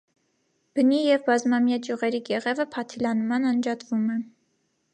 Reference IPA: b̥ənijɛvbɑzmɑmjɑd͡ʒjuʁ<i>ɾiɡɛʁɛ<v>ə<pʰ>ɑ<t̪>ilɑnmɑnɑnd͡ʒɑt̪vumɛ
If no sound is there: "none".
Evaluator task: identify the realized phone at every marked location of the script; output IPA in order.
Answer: ɛ, v, pʰ, t̪ʰ

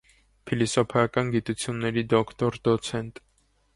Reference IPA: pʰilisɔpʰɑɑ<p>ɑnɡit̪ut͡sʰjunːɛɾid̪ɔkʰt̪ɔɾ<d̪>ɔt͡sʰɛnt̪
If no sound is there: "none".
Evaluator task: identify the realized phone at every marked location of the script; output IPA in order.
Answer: k, d̪

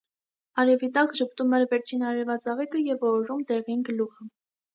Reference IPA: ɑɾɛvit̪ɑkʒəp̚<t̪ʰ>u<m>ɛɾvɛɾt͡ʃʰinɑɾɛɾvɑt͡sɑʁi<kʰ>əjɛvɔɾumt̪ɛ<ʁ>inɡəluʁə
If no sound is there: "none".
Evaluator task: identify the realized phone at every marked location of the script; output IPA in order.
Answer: t̪, m, k, ʁ

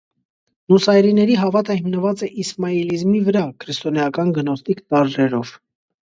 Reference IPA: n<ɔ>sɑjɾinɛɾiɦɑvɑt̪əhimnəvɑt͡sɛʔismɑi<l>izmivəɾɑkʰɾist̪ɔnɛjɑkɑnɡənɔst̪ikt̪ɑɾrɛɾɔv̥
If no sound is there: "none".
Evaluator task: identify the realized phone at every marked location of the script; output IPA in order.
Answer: u, l

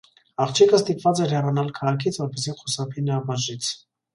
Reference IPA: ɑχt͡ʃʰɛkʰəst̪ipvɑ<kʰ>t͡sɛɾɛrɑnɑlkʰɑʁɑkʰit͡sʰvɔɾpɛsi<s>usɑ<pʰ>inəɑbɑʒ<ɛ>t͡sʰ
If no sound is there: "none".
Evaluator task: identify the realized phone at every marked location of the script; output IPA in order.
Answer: none, χ, pʰ, i

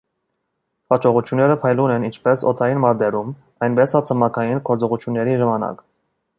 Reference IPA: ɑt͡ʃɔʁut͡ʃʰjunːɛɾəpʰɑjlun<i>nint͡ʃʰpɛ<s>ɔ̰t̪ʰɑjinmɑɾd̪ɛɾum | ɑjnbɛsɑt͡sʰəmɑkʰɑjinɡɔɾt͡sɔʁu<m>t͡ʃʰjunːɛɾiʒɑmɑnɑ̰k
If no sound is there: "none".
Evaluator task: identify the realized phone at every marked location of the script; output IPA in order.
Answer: ɛ, s, none

